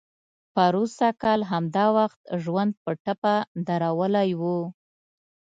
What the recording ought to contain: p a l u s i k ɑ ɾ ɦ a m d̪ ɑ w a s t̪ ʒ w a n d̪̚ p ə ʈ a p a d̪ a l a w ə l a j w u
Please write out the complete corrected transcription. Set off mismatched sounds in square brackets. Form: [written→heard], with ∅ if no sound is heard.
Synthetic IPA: p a [l→ɾ] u s [i→a] k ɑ [ɾ→l] ɦ a m d̪ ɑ w a [s→x] t̪ ʒ w a n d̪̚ p ə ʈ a p a d̪ a [l→ɾ] a w ə l a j w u

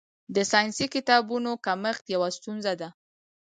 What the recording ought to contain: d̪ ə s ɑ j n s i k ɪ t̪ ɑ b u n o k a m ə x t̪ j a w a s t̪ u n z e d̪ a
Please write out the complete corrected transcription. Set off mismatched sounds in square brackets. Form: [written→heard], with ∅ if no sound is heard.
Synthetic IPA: d̪ ə s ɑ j n s i k ɪ t̪ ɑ b u n o k a m ə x t̪ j a w a s t̪ u n z [e→a] d̪ a

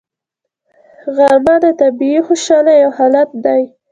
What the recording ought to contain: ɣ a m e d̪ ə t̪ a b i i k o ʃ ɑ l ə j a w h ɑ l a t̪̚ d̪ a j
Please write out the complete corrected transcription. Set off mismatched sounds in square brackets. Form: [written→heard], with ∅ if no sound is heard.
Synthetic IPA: ɣ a m [e→a] d̪ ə t̪ a b i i [k→x] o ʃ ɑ l [ə→a] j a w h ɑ l a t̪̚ d̪ a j

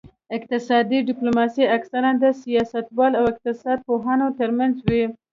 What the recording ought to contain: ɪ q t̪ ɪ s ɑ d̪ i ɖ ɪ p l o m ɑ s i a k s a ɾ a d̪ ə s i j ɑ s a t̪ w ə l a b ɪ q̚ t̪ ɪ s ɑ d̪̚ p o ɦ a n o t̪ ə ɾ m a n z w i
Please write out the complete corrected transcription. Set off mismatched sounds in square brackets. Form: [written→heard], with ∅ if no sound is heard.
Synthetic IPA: ɪ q t̪ ɪ s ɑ d̪ i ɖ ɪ p l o m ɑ s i a k s a ɾ a d̪ ə s i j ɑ s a t̪ w [ə→ɑ] l a [b→w] ɪ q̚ t̪ ɪ s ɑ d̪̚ p o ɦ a n o t̪ ə ɾ m a n z w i

